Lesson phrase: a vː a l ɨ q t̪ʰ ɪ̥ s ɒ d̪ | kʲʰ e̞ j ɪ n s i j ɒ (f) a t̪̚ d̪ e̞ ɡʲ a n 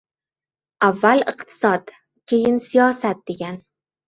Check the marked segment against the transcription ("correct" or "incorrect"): incorrect